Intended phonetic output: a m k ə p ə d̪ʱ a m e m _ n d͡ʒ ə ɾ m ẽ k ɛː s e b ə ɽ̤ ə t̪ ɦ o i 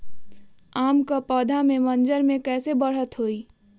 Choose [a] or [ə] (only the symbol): ə